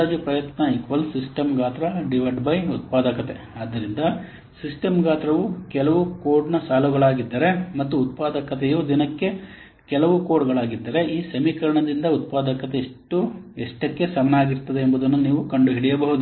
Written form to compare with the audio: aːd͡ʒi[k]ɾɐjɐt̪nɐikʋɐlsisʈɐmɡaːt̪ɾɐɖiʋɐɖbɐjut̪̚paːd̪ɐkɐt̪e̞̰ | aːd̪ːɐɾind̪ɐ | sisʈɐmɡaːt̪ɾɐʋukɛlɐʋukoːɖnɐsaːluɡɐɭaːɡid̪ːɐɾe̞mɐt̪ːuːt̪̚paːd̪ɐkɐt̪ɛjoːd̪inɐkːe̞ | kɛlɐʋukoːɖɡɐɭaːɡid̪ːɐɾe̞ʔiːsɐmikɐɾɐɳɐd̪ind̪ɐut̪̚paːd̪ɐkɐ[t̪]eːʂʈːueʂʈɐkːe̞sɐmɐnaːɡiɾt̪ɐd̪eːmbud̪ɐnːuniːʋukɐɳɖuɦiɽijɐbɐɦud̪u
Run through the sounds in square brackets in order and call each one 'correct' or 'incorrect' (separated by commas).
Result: incorrect, correct